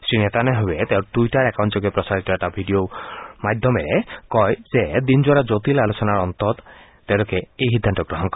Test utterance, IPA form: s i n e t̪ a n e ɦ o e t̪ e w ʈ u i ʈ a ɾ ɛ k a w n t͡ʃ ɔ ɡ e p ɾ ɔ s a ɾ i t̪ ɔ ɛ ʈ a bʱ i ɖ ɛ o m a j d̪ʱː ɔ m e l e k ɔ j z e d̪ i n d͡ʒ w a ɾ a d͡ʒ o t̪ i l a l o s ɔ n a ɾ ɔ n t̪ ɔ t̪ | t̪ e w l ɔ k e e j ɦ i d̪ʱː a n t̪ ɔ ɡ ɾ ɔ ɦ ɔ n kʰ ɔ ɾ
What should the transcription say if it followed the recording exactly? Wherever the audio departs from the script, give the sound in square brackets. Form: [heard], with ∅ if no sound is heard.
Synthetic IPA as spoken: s i n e t̪ a n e ɦ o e t̪ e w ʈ u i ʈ a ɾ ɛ k a w n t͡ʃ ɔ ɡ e p ɾ ɔ s a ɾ i t̪ ɔ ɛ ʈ a bʱ i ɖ [i] o m a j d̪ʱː ɔ m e [ɾ] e k ɔ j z e d̪ i n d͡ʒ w a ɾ a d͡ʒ o t̪ i l a l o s ɔ n a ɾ ɔ n t̪ ɔ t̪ | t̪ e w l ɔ k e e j ɦ i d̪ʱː a n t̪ ɔ ɡ ɾ ɔ ɦ ɔ n [k] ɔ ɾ

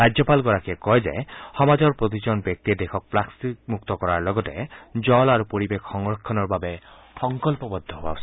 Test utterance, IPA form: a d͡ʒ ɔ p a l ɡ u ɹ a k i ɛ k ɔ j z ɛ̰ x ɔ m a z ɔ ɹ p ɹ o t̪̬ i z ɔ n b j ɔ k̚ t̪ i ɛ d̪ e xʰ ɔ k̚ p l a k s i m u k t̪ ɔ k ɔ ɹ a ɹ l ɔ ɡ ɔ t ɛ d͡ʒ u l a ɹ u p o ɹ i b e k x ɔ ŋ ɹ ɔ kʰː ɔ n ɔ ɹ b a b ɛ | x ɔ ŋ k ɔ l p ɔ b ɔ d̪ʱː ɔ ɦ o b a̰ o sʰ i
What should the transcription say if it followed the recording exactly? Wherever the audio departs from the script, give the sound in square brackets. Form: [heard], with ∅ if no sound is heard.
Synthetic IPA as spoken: a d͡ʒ ɔ p a l ɡ [ɔ] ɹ a k i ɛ k ɔ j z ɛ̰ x ɔ m a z ɔ ɹ p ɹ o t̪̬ i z ɔ n b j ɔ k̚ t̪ i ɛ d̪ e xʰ ɔ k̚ p l a k s i m u k t̪ ɔ k ɔ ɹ a ɹ l ɔ ɡ ɔ t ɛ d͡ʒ [ɔ] l a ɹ u p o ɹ i b e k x ɔ ŋ ɹ ɔ kʰː ɔ n ɔ ɹ b a b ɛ | x ɔ ŋ k ɔ l p ɔ b ɔ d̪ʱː ɔ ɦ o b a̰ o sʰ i

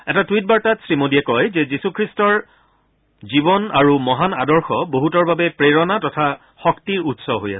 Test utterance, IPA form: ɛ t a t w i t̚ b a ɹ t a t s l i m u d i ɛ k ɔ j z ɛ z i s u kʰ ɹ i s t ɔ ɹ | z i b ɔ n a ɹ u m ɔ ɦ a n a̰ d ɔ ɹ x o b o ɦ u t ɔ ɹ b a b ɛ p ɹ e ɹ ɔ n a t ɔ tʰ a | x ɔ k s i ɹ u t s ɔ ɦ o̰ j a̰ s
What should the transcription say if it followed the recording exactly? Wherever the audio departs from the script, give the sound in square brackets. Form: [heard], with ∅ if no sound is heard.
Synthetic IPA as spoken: ɛ t a t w i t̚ b a ɹ t a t s [ɹ] i m [o] d i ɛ k ɔ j z ɛ z i s u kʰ ɹ i s t ɔ ɹ | z i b ɔ n a ɹ u m ɔ ɦ a n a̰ d ɔ ɹ x [ɔ] b o ɦ u t ɔ ɹ b a b ɛ p ɹ e ɹ ɔ n a t ɔ tʰ a | x ɔ k [t] i ɹ u t s ɔ ɦ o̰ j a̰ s

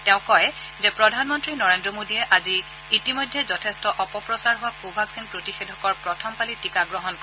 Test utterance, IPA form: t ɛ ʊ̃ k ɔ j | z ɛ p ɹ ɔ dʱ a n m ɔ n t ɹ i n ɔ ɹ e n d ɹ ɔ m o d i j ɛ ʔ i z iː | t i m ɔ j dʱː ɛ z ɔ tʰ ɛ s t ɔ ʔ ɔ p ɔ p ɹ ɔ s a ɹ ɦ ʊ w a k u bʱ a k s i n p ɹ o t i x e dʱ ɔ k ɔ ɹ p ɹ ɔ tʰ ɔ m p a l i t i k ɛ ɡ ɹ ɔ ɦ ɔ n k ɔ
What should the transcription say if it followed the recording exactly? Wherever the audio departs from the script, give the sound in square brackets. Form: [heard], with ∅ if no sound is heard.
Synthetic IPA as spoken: t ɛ ʊ̃ k ɔ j | z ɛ p ɹ ɔ dʱ a n m ɔ n t ɹ i n ɔ ɹ e n d ɹ ɔ m o d i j ɛ ʔ [a] z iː | t i m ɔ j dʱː ɛ z ɔ tʰ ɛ s t ɔ ʔ ɔ p ɔ p ɹ ɔ s a ɹ ɦ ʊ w a k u bʱ a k s i n p ɹ o t i x e dʱ ɔ k ɔ ɹ p ɹ ɔ tʰ ɔ m p a l i t i k [a] ɡ ɹ ɔ ɦ ɔ n k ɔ

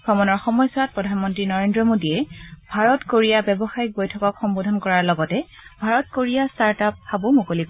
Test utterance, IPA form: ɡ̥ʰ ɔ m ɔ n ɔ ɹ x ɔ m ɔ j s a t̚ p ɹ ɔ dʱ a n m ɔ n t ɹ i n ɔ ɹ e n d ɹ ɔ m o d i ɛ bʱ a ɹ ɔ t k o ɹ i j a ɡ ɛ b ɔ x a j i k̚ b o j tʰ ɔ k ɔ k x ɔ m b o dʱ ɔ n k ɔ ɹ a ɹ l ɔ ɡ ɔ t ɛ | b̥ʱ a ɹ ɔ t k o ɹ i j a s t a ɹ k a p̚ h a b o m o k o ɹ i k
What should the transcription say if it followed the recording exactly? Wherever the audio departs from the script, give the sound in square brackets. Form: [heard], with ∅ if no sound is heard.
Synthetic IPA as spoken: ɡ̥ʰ ɔ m ɔ n ɔ ɹ x ɔ m ɔ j s a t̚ p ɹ ɔ dʱ a n m ɔ n t ɹ i n ɔ ɹ e n d ɹ ɔ m o d i ɛ bʱ a ɹ ɔ t k o ɹ i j a [b] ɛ b ɔ x a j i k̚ b o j tʰ ɔ k ɔ k x ɔ m b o dʱ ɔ n k ɔ ɹ a ɹ l ɔ ɡ ɔ t ɛ | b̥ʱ a ɹ ɔ t k o ɹ i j a s t a ɹ [t] a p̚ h a b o m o k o [l] i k

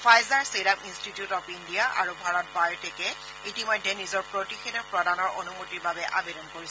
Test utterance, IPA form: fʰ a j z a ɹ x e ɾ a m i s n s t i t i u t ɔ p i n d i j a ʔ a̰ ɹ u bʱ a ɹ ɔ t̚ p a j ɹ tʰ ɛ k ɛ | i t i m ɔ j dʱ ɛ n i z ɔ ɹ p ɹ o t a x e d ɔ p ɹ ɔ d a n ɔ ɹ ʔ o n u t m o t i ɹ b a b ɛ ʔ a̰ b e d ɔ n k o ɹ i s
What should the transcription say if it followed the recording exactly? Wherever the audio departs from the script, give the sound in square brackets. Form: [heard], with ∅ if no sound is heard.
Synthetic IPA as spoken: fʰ a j z a ɹ [s] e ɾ a m i [∅] n s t i t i u t ɔ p i n d i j a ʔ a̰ ɹ u bʱ a ɹ ɔ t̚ [b] a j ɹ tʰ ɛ k ɛ | i t i m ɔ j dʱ ɛ n i z ɔ ɹ p ɹ o t [i] x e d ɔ p ɹ ɔ d a n ɔ ɹ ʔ o n u [∅] m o t i ɹ b a b ɛ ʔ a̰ b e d ɔ n k o ɹ i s

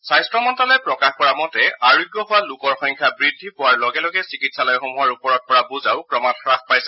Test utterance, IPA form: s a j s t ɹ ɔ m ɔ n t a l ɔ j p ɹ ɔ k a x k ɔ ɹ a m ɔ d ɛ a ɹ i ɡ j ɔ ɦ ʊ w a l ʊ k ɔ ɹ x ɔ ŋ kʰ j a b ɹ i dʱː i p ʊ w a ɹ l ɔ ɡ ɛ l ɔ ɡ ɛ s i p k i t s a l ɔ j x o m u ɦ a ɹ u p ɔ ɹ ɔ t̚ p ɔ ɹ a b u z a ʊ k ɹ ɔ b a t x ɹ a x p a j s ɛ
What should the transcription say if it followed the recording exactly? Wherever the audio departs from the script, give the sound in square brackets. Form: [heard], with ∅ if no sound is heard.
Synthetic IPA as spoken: s a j s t ɹ ɔ m ɔ n t a l ɔ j p ɹ ɔ k a x k ɔ ɹ a m ɔ [t] ɛ a ɹ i ɡ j ɔ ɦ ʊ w a l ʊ k ɔ ɹ x ɔ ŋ kʰ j a b ɹ i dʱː i p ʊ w a ɹ l ɔ ɡ ɛ l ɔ ɡ ɛ s i [∅] k i t s a l ɔ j x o m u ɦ a ɹ u p ɔ ɹ ɔ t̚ p ɔ ɹ a b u z a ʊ k ɹ ɔ [m] a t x ɹ a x p a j s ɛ

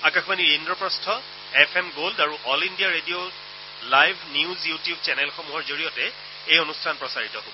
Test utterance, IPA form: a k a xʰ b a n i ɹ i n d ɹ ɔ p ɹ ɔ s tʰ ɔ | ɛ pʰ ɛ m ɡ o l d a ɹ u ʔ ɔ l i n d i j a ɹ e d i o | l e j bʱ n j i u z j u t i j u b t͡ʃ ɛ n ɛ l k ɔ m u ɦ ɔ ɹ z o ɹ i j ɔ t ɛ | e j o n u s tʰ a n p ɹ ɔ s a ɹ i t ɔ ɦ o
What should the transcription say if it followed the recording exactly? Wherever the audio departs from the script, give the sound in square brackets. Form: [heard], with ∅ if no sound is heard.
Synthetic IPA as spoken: a k a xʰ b a n i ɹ i n d ɹ ɔ p ɹ ɔ s tʰ ɔ | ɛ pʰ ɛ m ɡ o l d a ɹ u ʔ ɔ l i n d i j a ɹ e d i o | l [a] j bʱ n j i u z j u t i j u b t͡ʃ ɛ n ɛ l [x] ɔ m u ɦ ɔ ɹ z o ɹ i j ɔ t ɛ | e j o n u s tʰ a n p ɹ ɔ s a ɹ i t ɔ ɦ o

